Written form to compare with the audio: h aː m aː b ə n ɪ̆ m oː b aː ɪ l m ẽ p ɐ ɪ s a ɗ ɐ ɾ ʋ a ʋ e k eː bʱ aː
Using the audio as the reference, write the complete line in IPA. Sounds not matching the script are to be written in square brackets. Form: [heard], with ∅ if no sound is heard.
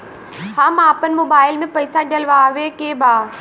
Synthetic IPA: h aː m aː [p] ə n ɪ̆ m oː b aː ɪ l m ẽ p ɐ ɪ s a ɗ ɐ [l] ʋ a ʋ e k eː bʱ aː